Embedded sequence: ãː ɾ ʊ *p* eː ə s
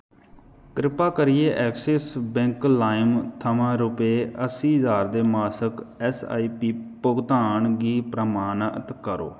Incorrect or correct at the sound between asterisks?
correct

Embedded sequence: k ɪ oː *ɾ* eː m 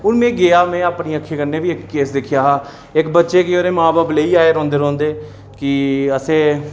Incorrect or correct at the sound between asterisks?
correct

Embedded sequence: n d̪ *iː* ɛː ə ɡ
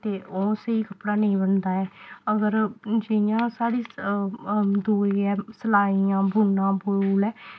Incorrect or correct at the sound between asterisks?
incorrect: aː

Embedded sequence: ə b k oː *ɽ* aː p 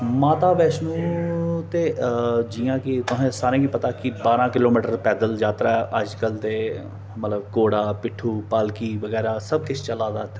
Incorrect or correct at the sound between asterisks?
correct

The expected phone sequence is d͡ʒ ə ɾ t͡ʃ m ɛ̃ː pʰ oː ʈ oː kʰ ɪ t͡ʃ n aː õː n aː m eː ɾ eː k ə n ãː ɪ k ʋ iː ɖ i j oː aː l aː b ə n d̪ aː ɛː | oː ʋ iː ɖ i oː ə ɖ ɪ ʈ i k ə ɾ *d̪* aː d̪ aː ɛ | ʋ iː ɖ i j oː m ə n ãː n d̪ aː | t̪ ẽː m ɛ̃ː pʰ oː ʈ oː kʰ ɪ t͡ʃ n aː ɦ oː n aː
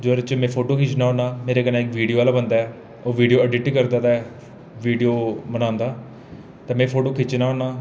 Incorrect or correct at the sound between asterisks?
correct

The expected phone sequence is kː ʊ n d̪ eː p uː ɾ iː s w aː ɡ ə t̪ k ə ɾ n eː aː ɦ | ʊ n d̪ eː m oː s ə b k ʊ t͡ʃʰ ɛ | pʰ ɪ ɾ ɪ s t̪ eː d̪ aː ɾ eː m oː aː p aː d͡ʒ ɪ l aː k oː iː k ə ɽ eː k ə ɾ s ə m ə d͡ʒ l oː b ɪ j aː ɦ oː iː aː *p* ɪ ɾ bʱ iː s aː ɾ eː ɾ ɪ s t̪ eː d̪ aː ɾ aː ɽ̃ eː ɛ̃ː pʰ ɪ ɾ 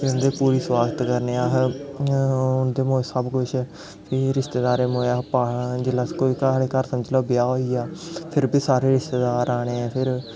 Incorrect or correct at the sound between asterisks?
incorrect: pʰ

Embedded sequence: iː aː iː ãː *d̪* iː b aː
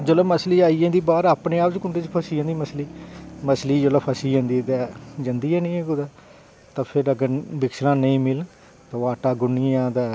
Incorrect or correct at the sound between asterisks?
correct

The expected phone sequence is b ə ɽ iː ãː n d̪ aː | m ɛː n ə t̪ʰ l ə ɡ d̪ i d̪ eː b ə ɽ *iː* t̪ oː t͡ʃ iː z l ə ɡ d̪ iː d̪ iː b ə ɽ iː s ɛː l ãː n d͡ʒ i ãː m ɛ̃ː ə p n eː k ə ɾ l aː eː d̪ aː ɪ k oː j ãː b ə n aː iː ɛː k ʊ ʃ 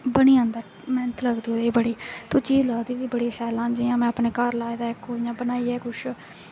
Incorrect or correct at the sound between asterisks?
correct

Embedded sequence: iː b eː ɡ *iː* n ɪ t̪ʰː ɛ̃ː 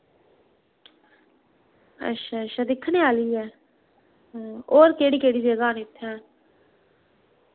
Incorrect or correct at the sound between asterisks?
incorrect: aː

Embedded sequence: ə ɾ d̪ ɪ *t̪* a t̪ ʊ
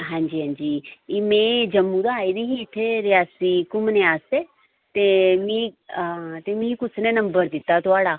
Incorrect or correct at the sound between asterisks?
correct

